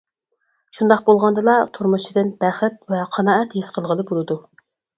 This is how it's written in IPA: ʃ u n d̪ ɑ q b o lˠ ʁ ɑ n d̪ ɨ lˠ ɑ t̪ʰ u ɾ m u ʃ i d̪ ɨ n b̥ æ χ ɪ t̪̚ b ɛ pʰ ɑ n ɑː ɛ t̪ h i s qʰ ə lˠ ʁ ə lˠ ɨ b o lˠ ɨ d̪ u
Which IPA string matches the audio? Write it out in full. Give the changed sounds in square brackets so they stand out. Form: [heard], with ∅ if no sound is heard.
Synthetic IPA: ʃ u n d̪ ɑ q b o lˠ ʁ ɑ n d̪ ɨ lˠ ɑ t̪ʰ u ɾ m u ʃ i d̪ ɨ n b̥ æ χ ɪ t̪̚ [v] ɛ [qʰ] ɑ n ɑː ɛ t̪ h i s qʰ ə lˠ ʁ ə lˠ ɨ b o lˠ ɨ d̪ u